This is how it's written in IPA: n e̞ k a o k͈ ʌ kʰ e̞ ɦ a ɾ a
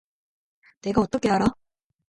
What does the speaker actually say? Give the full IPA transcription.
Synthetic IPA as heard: n e̞ ɡ a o t͈ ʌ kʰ e̞ ɦ a ɾ a